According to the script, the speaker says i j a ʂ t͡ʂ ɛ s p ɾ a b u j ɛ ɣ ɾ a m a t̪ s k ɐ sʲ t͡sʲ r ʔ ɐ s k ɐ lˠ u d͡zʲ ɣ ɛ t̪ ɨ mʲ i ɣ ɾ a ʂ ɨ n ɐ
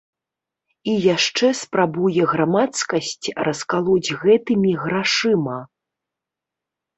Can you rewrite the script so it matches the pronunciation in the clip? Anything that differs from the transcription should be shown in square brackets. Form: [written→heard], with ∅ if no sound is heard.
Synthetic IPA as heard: i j a ʂ t͡ʂ ɛ s p ɾ a b u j ɛ ɣ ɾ a m a t̪ s k ɐ sʲ t͡sʲ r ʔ ɐ s k [ɐ→a] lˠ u d͡zʲ ɣ ɛ t̪ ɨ mʲ i ɣ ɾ a ʂ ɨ [n→m] ɐ